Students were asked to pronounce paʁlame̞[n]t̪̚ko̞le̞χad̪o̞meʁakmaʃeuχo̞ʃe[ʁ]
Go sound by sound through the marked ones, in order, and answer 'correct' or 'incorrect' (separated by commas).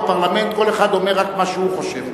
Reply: correct, incorrect